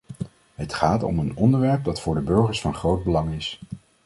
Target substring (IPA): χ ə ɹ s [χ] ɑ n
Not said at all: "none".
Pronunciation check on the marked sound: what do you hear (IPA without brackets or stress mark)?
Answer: f